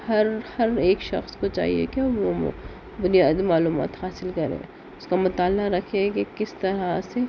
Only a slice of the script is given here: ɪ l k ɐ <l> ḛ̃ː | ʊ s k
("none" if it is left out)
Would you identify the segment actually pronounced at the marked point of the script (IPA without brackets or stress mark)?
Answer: ɾ